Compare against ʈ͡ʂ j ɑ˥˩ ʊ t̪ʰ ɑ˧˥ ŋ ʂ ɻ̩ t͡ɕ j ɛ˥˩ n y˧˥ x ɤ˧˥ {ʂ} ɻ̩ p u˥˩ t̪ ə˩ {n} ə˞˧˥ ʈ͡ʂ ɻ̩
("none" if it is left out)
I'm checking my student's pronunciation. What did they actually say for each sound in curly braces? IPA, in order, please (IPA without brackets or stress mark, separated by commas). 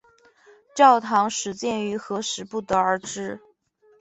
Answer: ʂ, none